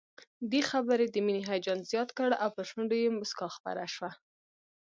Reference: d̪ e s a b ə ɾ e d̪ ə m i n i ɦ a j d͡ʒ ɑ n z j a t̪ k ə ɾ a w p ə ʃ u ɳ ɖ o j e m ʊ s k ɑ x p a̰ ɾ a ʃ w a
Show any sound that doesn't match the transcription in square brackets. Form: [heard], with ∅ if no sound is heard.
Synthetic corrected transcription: d̪ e [x] a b ə ɾ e d̪ ə m i n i ɦ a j d͡ʒ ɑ n z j [ɑ] t̪ k ə [ɽ] a w p ə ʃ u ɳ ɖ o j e m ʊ s k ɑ x p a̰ ɾ a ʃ w a